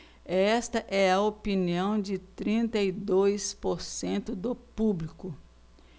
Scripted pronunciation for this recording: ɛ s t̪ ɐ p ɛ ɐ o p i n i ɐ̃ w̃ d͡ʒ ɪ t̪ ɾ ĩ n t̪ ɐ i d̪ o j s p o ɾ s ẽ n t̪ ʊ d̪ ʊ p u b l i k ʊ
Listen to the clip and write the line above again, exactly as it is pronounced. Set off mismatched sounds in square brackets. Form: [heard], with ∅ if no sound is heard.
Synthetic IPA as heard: ɛ s t̪ ɐ [ʔ] ɛ ɐ o p i n i ɐ̃ w̃ d͡ʒ ɪ t̪ ɾ ĩ n t̪ ɐ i d̪ o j s p o ɾ s ẽ n t̪ ʊ d̪ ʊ p u b l i k ʊ